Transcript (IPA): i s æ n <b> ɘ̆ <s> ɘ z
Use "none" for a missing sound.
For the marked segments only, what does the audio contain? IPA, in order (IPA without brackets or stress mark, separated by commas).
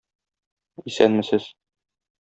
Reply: m, s